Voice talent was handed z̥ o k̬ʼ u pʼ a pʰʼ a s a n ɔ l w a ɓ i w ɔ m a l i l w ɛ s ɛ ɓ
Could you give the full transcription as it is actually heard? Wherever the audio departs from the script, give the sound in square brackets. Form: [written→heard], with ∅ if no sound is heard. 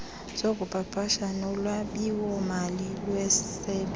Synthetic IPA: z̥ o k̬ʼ u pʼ a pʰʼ a [s→ʃ] a n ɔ l w a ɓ i w ɔ m a l i l w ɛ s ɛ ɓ